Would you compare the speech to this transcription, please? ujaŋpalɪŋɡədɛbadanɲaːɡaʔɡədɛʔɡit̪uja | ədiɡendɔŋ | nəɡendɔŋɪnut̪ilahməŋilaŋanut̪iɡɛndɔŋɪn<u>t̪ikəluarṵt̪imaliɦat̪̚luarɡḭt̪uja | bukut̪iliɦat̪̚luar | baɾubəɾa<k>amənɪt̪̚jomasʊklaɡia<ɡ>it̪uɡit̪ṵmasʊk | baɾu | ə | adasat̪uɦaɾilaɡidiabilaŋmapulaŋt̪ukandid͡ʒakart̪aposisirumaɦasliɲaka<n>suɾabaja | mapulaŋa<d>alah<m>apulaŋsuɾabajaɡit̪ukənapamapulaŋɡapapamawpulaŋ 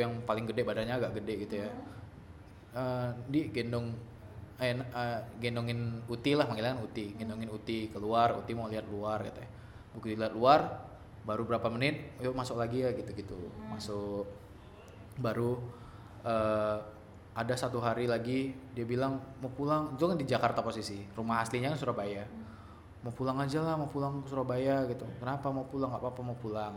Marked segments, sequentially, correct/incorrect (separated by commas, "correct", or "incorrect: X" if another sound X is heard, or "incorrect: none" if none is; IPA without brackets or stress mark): correct, incorrect: p, correct, correct, incorrect: d͡ʒ, correct